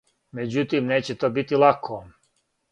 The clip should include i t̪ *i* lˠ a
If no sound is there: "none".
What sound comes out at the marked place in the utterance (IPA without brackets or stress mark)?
i